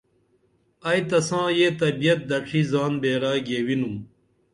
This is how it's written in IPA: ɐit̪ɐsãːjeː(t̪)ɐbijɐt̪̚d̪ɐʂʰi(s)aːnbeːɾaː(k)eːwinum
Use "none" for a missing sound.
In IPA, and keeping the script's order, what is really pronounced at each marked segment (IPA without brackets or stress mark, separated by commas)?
t̪, z, ɡ